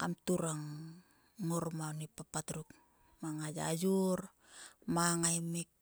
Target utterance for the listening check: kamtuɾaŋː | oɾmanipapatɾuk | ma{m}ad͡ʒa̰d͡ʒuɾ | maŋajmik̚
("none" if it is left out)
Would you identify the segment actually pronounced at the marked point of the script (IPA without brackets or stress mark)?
ŋ